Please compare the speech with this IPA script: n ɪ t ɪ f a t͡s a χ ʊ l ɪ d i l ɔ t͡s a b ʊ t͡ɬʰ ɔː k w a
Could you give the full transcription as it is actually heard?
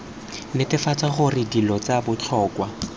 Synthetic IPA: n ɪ t ɪ f a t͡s a χ ʊ r ɪ d i l ɔ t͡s a b ʊ t͡ɬʰ ɔː k w a